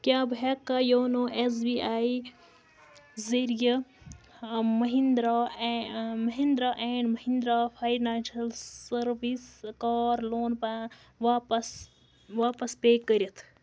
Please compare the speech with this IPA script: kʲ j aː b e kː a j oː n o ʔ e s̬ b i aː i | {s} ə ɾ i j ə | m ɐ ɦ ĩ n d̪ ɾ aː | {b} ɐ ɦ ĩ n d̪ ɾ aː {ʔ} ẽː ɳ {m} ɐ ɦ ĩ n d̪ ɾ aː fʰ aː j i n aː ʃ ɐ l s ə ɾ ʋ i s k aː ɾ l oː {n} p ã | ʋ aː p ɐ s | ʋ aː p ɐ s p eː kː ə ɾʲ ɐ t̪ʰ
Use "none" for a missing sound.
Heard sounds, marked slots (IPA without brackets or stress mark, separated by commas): z, m, ʔ, m, n